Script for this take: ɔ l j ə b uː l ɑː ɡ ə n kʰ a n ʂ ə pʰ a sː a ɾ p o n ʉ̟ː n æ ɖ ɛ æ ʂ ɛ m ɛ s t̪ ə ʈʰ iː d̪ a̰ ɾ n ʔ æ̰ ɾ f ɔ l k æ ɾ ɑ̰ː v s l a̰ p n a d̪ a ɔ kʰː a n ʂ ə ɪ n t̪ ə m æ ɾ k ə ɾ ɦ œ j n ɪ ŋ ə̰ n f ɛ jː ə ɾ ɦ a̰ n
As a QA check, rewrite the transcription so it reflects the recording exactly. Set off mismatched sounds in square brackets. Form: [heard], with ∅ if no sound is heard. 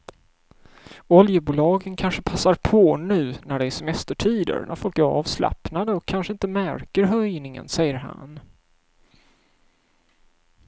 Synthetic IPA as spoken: ɔ l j ə b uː l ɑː ɡ ə n kʰ a n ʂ ə pʰ a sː a ɾ [pʰ] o n ʉ̟ː n æ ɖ ɛ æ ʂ ɛ m ɛ s t̪ ə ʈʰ iː d̪ [ə̰] ɾ n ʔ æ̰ ɾ f ɔ l k æ ɾ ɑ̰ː v s l a̰ p n a d̪ [ə] ɔ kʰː a n ʂ ə ɪ n t̪ ə m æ ɾ k ə ɾ ɦ œ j n ɪ ŋ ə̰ n [s] ɛ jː ə ɾ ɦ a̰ n